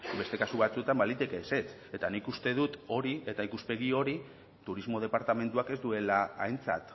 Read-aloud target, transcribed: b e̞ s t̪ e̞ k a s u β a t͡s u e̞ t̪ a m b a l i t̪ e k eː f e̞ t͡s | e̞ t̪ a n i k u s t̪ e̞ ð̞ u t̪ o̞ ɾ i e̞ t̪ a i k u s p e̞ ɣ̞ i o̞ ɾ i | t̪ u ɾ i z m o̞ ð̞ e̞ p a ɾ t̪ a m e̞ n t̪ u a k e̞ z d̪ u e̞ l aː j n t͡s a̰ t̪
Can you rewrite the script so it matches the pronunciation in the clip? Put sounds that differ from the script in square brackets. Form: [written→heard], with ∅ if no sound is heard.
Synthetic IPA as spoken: b e̞ s t̪ e̞ k a s u β a t͡s u e̞ t̪ a m b a l i t̪ e k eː [f→s] e̞ t͡s | e̞ t̪ a n i k u s t̪ e̞ ð̞ u t̪ o̞ ɾ i e̞ t̪ a i k u s p e̞ ɣ̞ i o̞ ɾ i | t̪ u ɾ i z m o̞ ð̞ e̞ p a ɾ t̪ a m e̞ n t̪ u a k e̞ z d̪ u e̞ l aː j n t͡s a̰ t̪